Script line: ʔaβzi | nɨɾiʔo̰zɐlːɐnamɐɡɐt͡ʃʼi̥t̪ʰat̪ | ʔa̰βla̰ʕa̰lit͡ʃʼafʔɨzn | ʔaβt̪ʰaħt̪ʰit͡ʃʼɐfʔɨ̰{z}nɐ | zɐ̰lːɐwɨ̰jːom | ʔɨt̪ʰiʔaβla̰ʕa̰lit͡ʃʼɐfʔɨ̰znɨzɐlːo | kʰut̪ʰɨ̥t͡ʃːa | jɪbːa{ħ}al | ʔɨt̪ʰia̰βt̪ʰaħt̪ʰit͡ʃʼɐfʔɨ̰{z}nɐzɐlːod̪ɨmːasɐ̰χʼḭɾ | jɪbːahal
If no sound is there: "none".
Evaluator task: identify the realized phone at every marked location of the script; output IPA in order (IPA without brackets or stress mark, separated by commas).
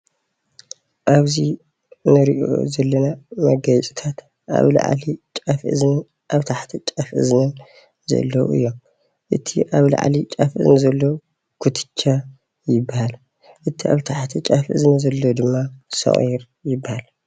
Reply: z, h, z